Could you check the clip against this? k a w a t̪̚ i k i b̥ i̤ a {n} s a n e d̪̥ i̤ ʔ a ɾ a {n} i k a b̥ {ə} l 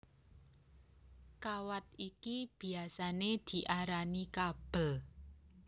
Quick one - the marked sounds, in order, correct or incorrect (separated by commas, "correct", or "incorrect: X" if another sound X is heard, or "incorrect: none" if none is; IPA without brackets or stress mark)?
incorrect: none, correct, correct